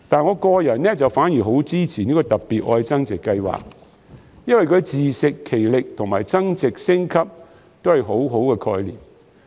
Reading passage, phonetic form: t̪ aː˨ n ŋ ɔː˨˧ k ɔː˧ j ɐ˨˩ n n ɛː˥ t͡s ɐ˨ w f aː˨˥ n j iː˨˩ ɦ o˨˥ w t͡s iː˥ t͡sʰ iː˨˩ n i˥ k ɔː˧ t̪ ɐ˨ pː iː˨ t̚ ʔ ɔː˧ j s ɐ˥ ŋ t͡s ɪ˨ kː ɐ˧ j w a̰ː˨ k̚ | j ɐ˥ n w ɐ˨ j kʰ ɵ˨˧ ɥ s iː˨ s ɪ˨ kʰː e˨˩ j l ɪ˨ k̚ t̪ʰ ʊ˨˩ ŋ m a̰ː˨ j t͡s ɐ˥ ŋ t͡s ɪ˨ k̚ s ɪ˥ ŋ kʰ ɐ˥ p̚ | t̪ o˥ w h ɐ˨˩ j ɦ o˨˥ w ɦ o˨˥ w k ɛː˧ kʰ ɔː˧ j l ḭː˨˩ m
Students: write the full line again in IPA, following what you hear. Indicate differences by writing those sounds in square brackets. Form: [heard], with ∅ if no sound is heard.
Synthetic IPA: t̪ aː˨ n ŋ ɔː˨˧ k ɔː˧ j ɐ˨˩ n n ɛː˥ t͡s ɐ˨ w f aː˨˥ n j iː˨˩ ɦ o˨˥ w t͡s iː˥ t͡sʰ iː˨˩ n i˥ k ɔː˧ t̪ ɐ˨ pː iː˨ t̚ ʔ ɔː˧ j [t͡s] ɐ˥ ŋ t͡s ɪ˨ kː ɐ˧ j w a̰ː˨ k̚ | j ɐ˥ n w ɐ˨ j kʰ ɵ˨˧ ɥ [t͡s] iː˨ s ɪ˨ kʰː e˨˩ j l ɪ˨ k̚ t̪ʰ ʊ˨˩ ŋ m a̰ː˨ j t͡s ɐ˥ ŋ t͡s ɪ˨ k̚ s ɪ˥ ŋ kʰ ɐ˥ p̚ | t̪ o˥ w h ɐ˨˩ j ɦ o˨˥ w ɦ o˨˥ w k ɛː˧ kʰ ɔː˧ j l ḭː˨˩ m

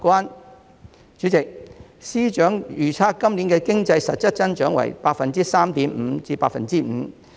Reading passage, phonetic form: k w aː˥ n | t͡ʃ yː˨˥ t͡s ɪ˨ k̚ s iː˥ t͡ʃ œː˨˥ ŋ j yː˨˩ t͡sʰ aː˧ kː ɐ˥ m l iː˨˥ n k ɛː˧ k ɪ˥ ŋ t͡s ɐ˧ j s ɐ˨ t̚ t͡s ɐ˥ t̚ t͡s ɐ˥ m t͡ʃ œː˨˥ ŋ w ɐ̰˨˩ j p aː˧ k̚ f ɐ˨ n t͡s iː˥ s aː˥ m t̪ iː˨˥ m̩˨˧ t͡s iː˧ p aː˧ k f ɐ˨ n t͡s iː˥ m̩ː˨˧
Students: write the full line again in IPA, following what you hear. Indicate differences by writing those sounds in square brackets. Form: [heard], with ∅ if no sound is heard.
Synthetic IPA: k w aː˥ n | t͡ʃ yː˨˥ t͡s ɪ˨ k̚ s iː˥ t͡ʃ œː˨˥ ŋ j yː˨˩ t͡sʰ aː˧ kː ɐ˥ m l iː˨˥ n k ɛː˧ k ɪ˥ ŋ t͡s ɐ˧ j s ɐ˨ t̚ t͡s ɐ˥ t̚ t͡s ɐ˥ [n] t͡ʃ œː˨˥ ŋ w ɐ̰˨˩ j p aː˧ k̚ f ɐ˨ n t͡s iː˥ s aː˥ m t̪ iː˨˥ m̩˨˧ t͡s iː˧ p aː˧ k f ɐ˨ n t͡s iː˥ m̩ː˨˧

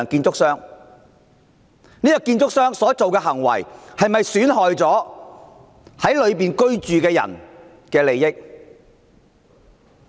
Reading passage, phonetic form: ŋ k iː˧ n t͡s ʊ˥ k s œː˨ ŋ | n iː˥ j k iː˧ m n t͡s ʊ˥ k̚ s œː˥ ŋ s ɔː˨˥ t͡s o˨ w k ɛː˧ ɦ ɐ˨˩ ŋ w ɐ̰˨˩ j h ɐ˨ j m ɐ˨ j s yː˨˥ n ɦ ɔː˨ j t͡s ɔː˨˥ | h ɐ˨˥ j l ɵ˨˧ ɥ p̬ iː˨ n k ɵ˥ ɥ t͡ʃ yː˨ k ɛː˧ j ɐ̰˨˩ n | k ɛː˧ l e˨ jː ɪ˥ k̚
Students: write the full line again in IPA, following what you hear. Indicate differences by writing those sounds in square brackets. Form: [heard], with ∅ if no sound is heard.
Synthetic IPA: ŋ k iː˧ n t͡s ʊ˥ k s [œː˥] ŋ | n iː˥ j k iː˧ [∅] n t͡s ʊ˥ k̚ s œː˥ ŋ s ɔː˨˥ t͡s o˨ w k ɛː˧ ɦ ɐ˨˩ ŋ w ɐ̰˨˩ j h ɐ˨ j m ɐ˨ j s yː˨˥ n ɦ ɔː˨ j t͡s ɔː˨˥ | h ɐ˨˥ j l ɵ˨˧ ɥ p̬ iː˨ n k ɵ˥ ɥ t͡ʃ yː˨ k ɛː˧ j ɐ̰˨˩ n | k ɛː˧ l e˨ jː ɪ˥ k̚

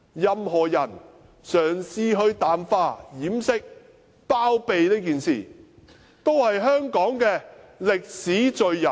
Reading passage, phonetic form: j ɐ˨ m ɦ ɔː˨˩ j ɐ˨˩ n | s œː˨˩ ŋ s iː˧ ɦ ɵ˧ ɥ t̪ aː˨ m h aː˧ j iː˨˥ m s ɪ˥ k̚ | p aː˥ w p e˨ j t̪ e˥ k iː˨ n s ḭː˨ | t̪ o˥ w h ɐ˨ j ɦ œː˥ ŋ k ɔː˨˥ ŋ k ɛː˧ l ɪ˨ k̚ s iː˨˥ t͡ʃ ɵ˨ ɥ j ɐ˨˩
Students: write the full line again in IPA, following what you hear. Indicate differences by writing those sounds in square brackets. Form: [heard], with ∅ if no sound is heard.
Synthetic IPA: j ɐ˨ m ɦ ɔː˨˩ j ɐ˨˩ n | s œː˨˩ ŋ s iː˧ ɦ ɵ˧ ɥ t̪ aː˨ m [f] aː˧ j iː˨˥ m s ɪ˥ k̚ | p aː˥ w p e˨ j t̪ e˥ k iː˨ n s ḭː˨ | t̪ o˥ w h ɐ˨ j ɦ œː˥ ŋ k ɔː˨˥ ŋ k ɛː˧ l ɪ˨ k̚ s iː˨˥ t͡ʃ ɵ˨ ɥ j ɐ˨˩

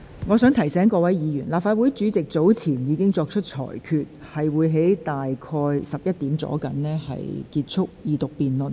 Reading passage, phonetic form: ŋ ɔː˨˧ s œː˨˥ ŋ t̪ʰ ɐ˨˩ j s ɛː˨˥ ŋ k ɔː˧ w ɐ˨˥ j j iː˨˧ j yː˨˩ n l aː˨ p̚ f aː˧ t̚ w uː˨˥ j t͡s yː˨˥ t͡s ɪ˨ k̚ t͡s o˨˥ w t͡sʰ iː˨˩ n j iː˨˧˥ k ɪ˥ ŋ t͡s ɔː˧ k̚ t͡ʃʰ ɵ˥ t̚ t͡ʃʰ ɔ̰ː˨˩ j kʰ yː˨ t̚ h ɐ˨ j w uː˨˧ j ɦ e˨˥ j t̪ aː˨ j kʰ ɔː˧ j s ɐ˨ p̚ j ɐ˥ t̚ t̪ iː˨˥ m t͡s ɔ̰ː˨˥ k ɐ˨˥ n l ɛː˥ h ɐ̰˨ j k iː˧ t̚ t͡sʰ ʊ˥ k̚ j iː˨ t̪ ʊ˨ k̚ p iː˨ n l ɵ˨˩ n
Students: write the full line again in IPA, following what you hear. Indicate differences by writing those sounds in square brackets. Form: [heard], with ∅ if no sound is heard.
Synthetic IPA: ŋ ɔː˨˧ s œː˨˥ ŋ t̪ʰ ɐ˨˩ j s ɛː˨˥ ŋ k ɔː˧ w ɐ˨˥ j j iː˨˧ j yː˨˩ n l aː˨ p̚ f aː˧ t̚ w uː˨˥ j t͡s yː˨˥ t͡s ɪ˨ k̚ t͡s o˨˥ w t͡sʰ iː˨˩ n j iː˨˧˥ k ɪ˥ ŋ t͡s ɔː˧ k̚ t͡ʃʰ ɵ˥ t̚ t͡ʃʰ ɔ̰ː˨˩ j kʰ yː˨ t̚ h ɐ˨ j w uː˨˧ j ɦ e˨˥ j t̪ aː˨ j kʰ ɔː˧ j s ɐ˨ p̚ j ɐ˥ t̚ t̪ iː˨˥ m t͡s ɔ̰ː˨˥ k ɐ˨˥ n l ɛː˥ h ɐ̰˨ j k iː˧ t̚ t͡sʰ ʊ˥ k̚ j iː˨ t̪ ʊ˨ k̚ p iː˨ n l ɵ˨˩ n

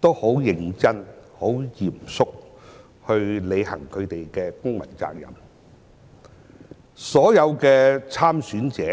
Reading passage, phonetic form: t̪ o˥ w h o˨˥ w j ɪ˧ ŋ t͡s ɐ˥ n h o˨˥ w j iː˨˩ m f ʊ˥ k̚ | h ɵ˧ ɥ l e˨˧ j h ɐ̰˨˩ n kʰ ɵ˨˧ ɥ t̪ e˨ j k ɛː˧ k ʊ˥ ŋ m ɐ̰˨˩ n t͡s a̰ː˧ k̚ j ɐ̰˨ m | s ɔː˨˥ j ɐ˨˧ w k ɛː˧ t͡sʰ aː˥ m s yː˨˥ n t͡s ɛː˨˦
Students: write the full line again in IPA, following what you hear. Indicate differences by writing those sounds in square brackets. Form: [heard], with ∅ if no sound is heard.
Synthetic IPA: t̪ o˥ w h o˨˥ w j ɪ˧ ŋ t͡s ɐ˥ n h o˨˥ w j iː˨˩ m [s] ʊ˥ k̚ | h ɵ˧ ɥ l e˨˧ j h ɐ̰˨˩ [ŋ] kʰ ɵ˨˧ ɥ t̪ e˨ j k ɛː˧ k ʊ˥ ŋ m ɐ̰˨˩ n t͡s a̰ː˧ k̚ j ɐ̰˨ m | s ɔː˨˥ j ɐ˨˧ w k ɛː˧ t͡sʰ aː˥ m s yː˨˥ n t͡s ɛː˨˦

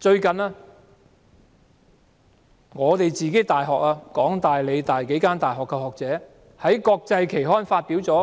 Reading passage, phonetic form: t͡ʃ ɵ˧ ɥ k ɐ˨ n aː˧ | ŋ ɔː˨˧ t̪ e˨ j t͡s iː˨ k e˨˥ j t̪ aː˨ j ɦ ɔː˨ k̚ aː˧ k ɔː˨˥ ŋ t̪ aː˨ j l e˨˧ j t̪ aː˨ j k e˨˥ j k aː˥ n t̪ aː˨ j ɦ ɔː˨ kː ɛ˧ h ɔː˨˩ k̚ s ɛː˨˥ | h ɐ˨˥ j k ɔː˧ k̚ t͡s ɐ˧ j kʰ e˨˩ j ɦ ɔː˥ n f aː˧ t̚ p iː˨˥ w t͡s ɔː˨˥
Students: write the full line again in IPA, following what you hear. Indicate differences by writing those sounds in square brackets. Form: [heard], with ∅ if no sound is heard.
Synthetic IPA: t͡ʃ ɵ˧ ɥ k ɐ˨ n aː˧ | ŋ ɔː˨˧ t̪ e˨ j t͡s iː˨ k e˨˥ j t̪ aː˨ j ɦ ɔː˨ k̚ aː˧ k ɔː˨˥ ŋ t̪ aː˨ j l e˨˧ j t̪ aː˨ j k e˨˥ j k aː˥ n t̪ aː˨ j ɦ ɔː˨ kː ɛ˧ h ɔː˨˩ k̚ [t͡s] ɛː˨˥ | h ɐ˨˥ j k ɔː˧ k̚ t͡s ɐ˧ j kʰ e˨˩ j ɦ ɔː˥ n f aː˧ t̚ p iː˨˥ w t͡s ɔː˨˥

